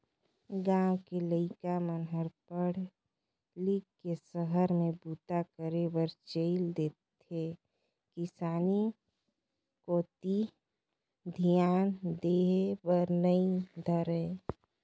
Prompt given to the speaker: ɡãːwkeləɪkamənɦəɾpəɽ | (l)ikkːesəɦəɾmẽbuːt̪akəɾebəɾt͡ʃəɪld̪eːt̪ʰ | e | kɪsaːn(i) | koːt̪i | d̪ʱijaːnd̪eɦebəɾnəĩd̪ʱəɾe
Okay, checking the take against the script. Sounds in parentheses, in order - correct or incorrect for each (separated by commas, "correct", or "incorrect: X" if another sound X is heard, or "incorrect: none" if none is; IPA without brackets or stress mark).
correct, correct